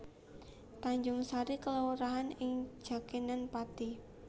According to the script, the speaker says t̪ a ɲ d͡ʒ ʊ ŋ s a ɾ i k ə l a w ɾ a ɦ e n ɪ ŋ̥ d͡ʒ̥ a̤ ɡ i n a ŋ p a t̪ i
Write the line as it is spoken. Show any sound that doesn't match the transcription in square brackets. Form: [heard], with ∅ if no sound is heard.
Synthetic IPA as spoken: t̪ a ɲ d͡ʒ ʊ ŋ s a ɾ i k ə l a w ɾ a ɦ [a] n ɪ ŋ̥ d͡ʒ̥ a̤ [k] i n a [n] p a t̪ i